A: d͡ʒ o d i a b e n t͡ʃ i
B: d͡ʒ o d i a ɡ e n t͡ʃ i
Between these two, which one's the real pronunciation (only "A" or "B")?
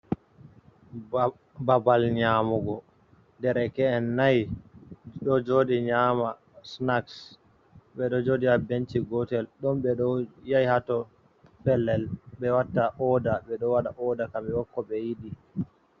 A